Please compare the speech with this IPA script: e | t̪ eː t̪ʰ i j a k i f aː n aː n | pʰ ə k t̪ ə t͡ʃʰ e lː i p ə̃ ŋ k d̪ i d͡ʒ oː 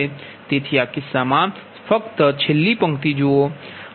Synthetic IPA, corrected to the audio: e | t̪ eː t̪ʰ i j a k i s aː m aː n | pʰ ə k t̪ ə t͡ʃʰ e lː i p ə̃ ŋ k t̪ i d͡ʒ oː